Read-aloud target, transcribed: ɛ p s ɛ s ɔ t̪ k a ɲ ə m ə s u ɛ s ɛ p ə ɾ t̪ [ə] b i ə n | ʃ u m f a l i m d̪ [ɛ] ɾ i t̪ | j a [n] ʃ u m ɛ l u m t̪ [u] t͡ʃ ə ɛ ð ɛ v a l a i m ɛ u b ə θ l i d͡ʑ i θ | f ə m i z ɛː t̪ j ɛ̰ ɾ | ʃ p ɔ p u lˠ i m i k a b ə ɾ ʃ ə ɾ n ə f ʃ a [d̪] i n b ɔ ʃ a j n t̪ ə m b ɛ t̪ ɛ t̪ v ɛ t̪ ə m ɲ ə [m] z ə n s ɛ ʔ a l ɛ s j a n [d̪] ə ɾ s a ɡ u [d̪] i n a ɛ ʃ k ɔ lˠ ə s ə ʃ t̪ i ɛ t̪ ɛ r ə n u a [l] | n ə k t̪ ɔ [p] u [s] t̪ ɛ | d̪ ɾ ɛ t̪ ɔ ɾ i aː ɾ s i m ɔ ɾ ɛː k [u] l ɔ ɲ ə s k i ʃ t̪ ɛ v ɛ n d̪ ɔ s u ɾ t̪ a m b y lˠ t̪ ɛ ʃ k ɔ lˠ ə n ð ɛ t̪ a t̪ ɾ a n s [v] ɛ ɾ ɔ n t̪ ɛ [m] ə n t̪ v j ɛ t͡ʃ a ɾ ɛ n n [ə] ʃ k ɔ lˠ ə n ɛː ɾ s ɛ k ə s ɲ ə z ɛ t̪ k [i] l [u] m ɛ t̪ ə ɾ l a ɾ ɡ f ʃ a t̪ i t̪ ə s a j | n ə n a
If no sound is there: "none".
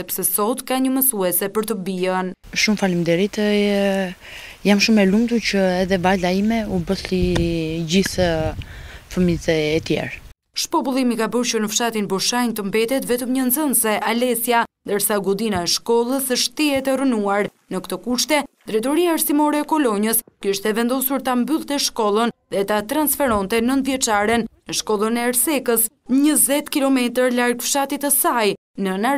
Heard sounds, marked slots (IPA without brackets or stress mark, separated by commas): ə, ɛ, m, u, t̪, n, d̪, d̪, ɾ, k, ʃ, ɔ, f, n, ə, i, ɔ